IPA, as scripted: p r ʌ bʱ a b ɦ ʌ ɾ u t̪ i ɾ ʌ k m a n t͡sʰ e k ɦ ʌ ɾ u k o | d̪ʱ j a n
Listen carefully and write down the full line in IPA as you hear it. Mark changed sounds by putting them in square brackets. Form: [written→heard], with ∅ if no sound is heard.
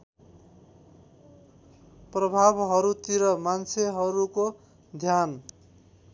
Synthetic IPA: p r ʌ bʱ a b ɦ ʌ ɾ u t̪ i ɾ ʌ [k→∅] m a n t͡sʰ e [k→∅] ɦ ʌ ɾ u k o | d̪ʱ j a n

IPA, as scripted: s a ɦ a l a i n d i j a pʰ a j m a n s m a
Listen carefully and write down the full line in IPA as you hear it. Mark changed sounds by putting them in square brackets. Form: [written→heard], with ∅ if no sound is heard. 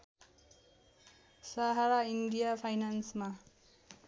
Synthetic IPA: s a ɦ a [l→ɾ] a i n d i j a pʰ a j [m→n] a n s m a

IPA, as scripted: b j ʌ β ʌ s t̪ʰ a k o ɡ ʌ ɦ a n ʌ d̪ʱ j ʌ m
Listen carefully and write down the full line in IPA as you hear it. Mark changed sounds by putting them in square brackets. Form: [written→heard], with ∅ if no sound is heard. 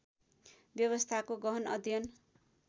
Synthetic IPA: b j ʌ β ʌ s t̪ʰ a k o ɡ ʌ ɦ [a→ʌ] n ʌ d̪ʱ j ʌ [m→n]

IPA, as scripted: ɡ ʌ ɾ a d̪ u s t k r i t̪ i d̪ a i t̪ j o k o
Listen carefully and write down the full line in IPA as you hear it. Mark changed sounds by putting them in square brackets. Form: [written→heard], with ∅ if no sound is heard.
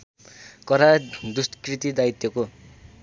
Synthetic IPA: [ɡ→k] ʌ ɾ a d̪ u s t k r i t̪ i d̪ a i t̪ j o k o

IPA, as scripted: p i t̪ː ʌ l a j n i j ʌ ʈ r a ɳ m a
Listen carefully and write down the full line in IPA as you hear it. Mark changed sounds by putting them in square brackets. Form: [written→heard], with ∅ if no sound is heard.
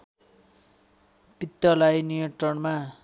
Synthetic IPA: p i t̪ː ʌ l a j n i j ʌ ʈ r [a→ʌ] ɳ m a

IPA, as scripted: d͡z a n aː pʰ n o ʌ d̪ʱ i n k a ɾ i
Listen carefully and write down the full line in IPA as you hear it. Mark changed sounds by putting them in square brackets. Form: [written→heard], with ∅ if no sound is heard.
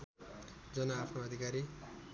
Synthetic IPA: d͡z [a→ʌ] n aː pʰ n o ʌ d̪ʱ i [n→∅] k a ɾ i

